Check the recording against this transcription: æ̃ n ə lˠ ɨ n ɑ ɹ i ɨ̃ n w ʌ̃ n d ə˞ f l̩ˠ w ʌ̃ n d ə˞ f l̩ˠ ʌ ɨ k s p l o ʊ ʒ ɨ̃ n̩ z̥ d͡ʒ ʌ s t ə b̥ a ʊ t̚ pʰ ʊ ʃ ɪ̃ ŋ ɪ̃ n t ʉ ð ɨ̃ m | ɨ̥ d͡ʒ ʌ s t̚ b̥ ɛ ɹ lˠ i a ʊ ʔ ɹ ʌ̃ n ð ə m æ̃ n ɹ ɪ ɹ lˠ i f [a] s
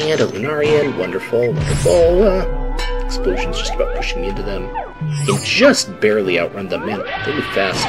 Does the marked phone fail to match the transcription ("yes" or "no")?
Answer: yes